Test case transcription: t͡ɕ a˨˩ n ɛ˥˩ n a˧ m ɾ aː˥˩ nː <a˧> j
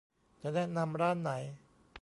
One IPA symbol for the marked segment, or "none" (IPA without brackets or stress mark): a˩˦